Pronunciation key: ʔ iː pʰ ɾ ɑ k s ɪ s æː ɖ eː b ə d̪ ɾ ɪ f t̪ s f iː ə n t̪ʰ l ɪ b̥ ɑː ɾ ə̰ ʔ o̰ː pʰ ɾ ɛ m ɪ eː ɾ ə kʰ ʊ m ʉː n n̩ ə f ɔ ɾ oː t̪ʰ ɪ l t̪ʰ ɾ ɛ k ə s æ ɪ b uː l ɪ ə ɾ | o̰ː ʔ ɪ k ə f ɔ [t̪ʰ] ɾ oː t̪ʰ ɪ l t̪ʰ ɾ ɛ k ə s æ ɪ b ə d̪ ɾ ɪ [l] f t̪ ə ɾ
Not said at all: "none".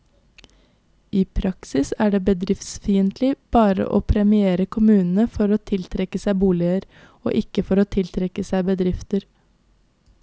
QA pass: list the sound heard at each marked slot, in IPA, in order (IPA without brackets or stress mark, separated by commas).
none, none